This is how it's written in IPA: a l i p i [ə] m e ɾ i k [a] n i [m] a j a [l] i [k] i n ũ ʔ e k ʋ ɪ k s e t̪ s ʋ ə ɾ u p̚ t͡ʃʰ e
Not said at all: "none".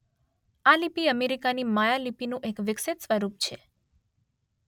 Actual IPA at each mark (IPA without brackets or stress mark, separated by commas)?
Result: ə, a, m, l, p